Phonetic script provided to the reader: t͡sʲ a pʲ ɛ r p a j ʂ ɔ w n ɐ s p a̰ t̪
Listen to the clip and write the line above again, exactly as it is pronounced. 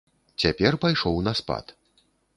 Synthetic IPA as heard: t͡sʲ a pʲ ɛ r p a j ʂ ɔ w n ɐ s p a̰ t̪